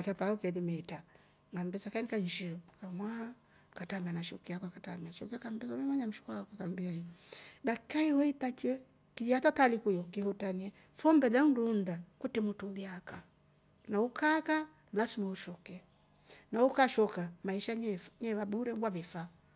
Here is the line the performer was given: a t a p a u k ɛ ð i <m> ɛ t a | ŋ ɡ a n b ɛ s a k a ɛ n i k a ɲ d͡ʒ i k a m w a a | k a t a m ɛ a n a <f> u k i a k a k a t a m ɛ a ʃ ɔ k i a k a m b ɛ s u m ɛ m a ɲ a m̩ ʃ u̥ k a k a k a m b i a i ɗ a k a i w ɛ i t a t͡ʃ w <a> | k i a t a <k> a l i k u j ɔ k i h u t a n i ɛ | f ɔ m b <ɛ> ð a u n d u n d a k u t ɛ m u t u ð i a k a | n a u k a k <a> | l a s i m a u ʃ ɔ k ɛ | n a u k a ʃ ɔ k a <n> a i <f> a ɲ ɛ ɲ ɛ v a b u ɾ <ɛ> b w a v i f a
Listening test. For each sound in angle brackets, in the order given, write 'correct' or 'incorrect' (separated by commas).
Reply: correct, incorrect, incorrect, incorrect, correct, correct, incorrect, incorrect, correct